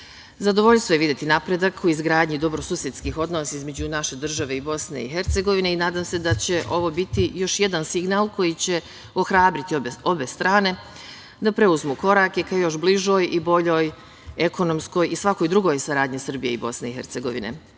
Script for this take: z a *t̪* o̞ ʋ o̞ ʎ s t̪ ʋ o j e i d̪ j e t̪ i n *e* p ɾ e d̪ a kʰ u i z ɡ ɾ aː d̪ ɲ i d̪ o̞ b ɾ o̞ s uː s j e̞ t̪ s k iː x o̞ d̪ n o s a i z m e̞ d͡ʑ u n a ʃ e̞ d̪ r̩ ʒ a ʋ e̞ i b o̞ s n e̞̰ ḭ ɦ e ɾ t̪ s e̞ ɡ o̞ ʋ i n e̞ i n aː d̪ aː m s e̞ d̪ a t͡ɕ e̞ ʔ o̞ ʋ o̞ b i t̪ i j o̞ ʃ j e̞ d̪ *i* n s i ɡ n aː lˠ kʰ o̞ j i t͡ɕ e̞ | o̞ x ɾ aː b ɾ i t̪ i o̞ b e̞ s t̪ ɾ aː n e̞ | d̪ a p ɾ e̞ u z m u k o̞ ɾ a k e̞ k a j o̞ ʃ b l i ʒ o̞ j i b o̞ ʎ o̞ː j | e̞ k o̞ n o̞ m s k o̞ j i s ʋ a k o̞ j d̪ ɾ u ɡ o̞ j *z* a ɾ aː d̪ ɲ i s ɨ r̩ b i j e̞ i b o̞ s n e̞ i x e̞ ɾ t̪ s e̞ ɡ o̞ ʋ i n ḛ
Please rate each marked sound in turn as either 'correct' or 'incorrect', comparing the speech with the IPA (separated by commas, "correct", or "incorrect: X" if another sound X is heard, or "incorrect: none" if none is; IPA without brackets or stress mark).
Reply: incorrect: d̪, incorrect: a, incorrect: a, incorrect: s